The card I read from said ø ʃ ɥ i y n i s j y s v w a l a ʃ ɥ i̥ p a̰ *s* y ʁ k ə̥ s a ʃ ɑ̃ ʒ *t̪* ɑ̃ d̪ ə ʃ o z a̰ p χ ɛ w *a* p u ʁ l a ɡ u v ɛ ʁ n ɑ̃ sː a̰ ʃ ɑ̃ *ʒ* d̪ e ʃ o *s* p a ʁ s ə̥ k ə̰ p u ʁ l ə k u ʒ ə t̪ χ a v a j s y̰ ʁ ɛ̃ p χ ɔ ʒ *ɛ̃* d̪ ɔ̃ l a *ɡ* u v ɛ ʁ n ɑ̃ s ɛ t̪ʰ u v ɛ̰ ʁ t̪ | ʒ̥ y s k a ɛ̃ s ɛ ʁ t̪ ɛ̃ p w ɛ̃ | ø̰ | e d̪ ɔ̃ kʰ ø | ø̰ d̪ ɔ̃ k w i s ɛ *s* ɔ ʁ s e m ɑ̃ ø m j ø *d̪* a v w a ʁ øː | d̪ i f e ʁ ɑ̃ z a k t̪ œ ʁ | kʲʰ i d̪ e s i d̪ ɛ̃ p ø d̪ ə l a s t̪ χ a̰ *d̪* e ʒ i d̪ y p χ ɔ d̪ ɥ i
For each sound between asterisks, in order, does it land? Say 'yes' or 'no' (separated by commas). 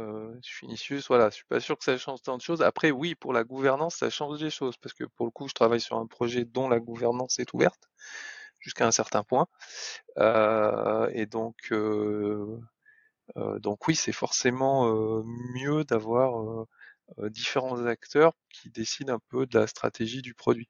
yes, yes, no, yes, no, no, yes, no, yes, no